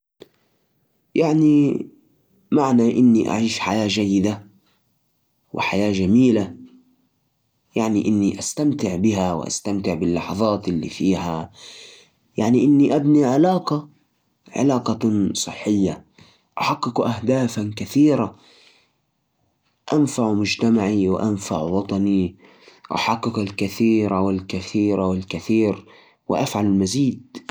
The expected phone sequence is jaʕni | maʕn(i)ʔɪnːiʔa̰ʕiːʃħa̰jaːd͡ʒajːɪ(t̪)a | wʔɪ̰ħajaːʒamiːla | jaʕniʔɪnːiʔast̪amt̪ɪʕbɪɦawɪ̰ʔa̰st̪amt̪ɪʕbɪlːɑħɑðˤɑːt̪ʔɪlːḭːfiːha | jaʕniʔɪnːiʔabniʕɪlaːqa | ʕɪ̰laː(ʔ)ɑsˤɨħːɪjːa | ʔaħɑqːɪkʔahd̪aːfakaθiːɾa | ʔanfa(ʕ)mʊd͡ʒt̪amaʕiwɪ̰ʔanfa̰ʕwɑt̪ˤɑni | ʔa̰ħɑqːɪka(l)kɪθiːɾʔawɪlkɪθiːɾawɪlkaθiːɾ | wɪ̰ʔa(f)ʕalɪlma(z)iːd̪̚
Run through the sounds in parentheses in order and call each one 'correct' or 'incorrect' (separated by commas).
incorrect, incorrect, incorrect, correct, correct, correct, correct